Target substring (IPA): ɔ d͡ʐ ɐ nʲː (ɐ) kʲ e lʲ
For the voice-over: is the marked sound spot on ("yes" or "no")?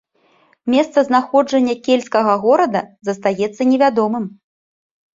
yes